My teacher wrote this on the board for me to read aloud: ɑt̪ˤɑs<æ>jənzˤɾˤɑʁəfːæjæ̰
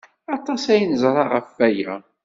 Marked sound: correct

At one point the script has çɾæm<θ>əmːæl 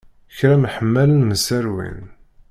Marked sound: incorrect: ħ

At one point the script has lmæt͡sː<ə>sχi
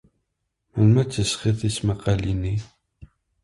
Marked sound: correct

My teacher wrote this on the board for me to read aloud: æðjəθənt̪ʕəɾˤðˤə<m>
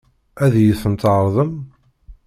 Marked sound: correct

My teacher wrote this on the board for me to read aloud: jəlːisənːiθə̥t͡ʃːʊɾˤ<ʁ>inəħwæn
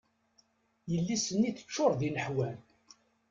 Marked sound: incorrect: ð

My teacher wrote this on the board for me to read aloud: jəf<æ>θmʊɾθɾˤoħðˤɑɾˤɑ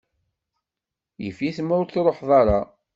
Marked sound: incorrect: i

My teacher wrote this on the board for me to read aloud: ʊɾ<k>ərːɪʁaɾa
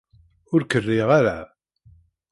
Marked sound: correct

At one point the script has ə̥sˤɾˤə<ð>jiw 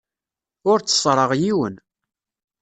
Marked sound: incorrect: ʁ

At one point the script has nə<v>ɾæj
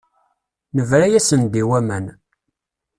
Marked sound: correct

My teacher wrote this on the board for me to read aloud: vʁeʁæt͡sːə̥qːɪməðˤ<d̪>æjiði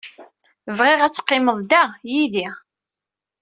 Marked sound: correct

